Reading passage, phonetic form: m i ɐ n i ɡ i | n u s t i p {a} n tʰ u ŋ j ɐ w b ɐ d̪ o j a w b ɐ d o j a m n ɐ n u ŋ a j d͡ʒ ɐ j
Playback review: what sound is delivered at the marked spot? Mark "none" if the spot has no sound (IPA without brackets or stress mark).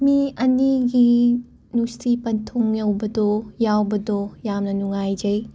ɐ